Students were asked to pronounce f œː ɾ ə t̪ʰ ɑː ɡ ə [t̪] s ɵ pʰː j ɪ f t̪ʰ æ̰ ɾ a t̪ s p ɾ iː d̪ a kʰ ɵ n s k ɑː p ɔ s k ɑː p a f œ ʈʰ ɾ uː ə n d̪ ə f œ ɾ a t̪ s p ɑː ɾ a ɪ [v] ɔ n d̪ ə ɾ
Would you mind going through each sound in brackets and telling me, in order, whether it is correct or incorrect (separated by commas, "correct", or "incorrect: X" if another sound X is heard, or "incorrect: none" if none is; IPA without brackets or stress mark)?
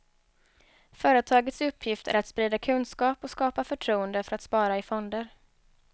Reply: correct, incorrect: f